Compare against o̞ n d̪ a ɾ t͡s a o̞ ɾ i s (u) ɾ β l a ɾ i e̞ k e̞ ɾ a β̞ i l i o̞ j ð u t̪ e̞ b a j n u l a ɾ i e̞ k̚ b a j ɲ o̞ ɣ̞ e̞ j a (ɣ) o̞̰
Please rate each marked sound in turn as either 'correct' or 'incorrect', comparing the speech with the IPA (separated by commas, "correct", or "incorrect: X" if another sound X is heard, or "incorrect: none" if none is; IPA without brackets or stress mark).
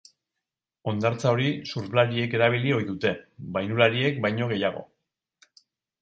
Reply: correct, correct